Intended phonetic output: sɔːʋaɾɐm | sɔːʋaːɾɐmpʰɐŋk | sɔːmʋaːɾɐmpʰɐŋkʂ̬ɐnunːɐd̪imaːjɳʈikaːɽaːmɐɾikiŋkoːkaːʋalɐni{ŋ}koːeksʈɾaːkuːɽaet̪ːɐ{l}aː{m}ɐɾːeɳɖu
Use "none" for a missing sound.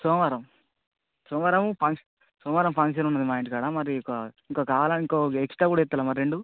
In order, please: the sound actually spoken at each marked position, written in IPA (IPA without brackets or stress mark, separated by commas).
ŋ, l, m